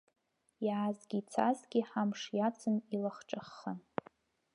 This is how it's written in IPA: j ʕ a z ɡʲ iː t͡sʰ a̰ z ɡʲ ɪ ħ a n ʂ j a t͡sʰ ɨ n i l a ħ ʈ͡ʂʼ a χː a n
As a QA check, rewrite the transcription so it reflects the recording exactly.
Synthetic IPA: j ʕ a z ɡʲ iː t͡sʰ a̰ z ɡʲ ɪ ħ a m ʂ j a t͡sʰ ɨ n i l a χ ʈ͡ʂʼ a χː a n